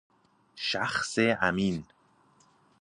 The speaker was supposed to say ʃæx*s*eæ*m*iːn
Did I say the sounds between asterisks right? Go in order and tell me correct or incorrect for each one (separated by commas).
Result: correct, correct